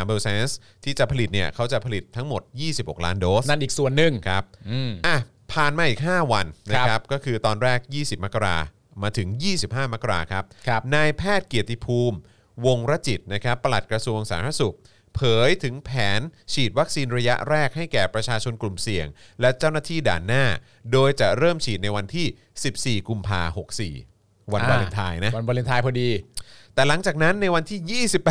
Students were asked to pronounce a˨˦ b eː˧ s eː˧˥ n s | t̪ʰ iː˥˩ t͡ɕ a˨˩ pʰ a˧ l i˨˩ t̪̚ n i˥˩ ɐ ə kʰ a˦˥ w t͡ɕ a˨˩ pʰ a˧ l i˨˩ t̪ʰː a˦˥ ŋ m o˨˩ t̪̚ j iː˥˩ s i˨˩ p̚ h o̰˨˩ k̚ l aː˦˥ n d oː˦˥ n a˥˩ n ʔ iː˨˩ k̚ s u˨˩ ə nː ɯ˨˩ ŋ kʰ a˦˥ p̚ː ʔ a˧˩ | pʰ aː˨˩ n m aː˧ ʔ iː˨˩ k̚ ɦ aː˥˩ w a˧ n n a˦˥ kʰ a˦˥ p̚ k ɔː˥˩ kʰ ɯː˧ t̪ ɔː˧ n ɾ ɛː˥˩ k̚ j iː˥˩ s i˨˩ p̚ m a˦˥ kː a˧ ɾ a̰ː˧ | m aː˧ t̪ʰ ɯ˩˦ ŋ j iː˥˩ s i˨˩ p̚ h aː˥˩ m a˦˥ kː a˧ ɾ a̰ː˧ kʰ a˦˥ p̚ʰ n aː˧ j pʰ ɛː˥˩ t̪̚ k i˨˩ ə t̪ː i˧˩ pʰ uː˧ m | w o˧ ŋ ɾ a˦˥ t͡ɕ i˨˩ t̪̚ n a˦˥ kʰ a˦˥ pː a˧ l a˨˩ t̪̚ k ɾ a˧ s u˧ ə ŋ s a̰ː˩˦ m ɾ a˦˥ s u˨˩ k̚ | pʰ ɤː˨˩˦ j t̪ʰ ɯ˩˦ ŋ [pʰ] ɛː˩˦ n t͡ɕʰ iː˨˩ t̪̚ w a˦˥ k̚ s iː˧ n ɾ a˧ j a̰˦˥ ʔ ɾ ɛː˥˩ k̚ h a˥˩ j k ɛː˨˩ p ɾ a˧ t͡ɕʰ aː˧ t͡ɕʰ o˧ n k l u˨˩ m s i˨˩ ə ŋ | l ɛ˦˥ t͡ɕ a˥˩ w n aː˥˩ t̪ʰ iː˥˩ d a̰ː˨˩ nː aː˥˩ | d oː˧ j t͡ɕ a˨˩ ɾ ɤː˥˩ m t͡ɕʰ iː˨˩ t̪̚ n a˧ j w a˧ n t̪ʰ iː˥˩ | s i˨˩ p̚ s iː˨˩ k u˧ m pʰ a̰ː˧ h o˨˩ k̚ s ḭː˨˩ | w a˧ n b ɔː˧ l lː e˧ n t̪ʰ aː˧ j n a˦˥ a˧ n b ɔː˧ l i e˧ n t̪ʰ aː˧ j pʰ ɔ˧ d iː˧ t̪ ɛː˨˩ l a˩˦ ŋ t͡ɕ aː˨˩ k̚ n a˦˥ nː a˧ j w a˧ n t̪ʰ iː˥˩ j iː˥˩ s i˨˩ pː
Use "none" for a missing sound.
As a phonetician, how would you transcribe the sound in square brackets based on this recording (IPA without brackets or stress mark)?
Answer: pʰ